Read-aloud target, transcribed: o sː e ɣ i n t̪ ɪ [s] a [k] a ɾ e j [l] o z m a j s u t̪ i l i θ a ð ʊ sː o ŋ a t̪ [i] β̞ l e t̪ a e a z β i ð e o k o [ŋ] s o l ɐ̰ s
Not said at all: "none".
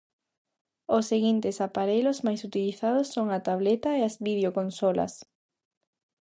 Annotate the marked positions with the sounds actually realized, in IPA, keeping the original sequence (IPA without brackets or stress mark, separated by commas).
s, p, l, a, n